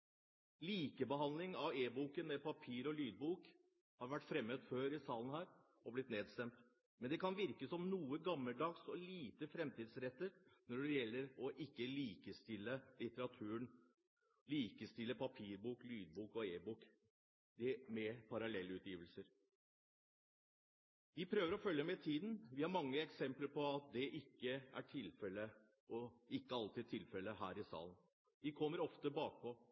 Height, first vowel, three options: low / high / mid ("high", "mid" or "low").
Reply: high